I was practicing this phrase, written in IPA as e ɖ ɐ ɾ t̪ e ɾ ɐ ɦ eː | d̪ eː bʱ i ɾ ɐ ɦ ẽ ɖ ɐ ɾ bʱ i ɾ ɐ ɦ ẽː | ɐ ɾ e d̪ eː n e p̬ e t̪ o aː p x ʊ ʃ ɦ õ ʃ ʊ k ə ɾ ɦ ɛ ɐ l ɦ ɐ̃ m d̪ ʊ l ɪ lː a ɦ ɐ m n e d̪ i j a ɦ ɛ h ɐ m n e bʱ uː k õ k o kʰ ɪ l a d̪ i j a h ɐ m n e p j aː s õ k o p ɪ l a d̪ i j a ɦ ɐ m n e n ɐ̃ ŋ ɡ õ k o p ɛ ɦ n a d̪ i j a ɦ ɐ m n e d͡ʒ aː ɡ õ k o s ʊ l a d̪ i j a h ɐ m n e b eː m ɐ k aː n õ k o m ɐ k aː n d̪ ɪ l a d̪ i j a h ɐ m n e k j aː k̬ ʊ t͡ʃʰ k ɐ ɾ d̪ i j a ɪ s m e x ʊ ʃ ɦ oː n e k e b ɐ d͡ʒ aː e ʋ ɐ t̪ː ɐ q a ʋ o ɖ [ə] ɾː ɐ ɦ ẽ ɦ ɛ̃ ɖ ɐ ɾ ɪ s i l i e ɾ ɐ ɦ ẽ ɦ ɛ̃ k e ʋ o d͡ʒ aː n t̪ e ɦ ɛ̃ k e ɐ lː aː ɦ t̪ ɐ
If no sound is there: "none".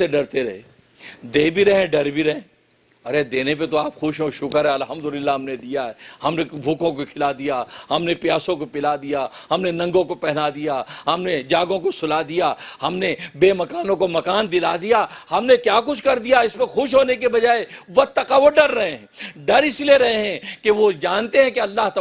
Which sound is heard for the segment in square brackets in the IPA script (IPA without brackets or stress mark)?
ɐ